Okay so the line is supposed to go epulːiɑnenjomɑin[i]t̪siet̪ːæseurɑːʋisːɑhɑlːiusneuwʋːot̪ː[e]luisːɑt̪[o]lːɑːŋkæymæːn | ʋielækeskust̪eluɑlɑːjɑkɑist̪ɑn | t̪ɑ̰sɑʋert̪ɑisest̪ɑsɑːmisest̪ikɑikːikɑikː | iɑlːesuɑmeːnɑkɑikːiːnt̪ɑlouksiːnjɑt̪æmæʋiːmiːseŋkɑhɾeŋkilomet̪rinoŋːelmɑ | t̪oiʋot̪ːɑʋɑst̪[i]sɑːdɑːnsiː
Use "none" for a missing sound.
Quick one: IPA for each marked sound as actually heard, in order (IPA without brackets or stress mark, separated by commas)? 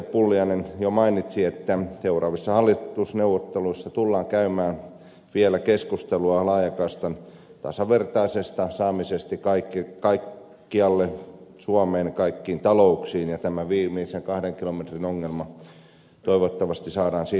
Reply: i, e, u, i